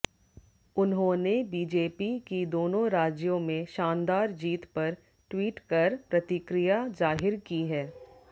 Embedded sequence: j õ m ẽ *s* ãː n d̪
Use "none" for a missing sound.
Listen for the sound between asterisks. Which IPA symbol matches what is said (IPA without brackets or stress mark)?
ʃ